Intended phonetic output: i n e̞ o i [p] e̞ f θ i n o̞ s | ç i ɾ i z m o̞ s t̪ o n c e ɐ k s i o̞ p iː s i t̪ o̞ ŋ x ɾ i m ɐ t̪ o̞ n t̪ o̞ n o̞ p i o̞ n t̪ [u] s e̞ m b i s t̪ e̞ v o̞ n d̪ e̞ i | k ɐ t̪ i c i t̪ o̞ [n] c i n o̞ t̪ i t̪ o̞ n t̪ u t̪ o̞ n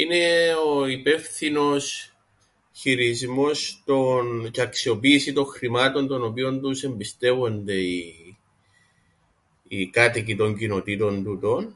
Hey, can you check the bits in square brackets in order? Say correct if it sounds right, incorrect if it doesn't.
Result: correct, correct, incorrect

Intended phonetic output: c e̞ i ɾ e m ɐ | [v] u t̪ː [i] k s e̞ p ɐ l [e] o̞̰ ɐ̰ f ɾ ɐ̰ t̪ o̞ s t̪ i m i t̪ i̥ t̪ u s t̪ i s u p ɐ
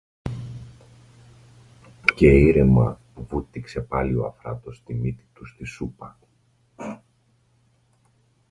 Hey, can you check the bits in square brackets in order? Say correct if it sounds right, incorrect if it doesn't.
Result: correct, correct, incorrect

